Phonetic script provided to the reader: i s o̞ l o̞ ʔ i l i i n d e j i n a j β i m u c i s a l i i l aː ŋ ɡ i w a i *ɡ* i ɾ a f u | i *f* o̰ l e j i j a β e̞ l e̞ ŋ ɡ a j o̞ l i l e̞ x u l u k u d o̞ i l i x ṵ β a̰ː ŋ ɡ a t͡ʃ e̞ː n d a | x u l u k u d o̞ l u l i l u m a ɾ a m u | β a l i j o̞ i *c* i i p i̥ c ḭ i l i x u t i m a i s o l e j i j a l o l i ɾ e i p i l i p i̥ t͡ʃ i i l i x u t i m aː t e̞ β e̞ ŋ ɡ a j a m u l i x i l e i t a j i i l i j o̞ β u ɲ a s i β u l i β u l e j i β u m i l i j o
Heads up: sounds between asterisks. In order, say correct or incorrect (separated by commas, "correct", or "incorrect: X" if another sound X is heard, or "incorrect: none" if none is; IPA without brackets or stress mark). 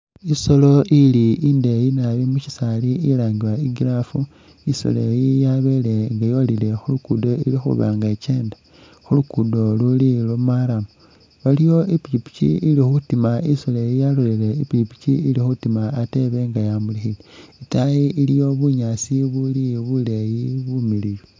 correct, incorrect: s, incorrect: p